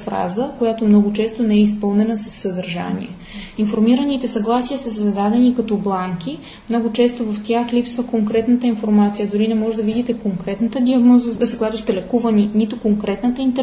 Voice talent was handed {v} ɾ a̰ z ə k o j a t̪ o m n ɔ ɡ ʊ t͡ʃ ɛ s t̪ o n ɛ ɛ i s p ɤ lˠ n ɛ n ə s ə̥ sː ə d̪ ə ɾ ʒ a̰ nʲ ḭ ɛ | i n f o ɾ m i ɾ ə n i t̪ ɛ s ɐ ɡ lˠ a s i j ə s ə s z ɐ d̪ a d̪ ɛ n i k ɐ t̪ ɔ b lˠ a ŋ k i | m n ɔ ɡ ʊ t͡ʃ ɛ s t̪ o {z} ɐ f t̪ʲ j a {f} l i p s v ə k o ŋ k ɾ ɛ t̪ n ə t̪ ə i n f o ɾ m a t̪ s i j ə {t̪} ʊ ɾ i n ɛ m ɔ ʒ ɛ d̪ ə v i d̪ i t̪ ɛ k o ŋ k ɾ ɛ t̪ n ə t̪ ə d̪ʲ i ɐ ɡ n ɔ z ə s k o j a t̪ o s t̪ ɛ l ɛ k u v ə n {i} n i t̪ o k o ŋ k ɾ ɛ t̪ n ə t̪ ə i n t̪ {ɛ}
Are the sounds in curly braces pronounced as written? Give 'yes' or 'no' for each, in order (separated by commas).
no, no, no, no, yes, yes